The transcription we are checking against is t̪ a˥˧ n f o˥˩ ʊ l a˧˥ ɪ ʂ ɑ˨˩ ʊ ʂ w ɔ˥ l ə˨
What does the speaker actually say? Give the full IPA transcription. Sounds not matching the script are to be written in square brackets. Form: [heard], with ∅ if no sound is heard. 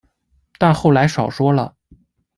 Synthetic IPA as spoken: t̪ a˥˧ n [x] o˥˩ ʊ l a˧˥ ɪ ʂ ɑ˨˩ ʊ ʂ w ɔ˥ l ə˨